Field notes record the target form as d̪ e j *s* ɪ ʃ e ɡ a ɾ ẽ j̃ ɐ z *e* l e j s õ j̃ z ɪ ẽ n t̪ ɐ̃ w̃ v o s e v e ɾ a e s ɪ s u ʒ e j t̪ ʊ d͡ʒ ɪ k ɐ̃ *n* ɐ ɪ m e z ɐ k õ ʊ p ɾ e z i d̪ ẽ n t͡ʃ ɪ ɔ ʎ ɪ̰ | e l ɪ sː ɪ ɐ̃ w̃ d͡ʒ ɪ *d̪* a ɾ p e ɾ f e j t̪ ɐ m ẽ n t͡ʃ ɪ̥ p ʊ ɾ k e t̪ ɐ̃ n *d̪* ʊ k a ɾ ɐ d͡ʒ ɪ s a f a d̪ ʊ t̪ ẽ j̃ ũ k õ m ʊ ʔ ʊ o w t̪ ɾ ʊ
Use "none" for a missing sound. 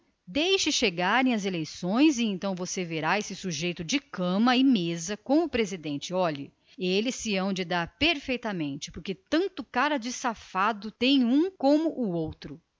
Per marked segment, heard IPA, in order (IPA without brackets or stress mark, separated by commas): ʃ, e, m, d̪, t̪